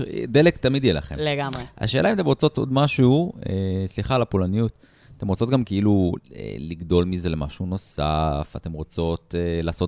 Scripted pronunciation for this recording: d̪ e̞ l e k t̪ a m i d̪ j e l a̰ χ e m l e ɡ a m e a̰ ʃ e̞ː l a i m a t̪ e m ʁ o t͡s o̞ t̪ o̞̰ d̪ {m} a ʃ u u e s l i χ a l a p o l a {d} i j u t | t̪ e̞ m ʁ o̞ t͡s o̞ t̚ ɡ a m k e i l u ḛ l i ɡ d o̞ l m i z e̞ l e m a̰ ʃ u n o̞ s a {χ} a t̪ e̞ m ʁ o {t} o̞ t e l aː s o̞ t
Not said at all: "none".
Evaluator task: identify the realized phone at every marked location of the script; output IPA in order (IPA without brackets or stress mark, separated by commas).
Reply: m, n, f, t͡s